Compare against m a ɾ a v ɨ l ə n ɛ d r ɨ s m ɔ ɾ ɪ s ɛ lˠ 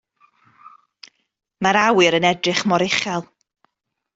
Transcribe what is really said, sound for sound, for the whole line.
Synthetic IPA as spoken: m a ɾ a w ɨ ɾ ə n ɛ d r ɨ χ m ɔ ɾ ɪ χ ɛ lˠ